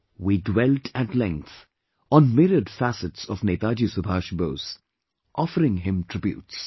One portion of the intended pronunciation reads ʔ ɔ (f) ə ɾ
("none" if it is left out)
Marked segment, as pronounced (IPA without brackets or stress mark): f